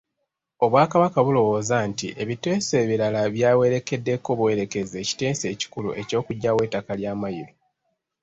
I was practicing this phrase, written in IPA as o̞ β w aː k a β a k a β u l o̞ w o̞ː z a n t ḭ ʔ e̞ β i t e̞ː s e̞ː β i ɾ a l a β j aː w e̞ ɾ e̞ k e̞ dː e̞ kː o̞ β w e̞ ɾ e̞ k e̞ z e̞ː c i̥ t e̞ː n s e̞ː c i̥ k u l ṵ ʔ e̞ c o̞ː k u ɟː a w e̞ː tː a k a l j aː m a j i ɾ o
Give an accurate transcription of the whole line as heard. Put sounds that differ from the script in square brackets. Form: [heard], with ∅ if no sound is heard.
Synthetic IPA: o̞ β w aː k a β a k a β u l o̞ w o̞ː z a n t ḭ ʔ e̞ β i t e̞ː s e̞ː β i ɾ a l a β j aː w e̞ ɾ e̞ k e̞ dː e̞ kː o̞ β w e̞ ɾ e̞ k e̞ z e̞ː c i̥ t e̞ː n s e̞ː c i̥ k u l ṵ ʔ e̞ c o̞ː k u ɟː a w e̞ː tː a k a l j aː m a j i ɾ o